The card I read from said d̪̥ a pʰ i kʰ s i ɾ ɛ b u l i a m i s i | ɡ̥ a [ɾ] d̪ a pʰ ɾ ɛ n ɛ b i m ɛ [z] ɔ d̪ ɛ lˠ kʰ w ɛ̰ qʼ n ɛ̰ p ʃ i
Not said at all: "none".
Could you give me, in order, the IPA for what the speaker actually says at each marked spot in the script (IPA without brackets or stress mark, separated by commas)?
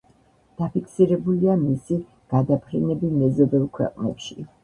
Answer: none, z